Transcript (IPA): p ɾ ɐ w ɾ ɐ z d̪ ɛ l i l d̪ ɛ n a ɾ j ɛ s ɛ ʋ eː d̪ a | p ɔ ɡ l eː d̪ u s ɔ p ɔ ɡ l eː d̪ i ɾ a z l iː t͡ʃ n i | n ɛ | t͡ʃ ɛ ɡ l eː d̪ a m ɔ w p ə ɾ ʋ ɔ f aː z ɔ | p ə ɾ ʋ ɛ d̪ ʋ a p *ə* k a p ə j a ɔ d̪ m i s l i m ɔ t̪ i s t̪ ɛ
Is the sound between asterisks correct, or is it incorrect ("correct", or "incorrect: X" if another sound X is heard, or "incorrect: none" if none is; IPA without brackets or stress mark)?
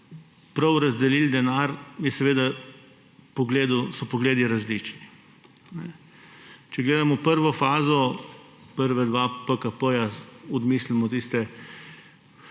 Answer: correct